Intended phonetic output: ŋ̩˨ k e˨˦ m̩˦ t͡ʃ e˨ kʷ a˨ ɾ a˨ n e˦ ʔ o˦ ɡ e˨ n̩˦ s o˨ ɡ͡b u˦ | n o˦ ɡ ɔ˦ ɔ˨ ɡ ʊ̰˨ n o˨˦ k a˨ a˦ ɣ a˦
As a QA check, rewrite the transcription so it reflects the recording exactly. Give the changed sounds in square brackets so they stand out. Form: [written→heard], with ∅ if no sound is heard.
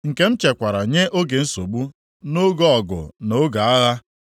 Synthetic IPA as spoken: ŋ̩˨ k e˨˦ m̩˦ t͡ʃ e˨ kʷ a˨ ɾ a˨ [n→ɲ] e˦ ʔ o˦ ɡ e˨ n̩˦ s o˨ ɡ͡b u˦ | n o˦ ɡ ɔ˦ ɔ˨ ɡ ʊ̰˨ n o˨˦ [k→ɡ] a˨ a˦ ɣ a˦